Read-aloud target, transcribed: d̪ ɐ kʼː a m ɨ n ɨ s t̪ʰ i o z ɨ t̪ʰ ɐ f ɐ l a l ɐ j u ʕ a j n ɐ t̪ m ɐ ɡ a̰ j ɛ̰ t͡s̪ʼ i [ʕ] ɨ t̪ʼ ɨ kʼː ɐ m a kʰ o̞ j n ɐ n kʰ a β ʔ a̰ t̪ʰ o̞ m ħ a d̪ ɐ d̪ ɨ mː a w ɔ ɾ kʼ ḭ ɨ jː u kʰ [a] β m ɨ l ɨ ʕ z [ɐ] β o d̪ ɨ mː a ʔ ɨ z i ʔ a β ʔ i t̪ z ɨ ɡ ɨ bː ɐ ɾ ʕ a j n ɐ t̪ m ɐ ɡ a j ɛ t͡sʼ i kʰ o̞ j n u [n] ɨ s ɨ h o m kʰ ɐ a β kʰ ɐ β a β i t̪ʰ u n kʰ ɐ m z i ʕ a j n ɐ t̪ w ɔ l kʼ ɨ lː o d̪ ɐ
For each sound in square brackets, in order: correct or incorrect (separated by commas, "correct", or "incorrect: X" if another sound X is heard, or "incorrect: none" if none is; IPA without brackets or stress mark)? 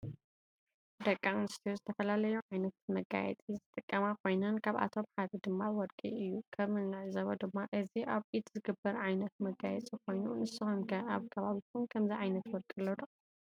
incorrect: z, incorrect: ɐ, correct, correct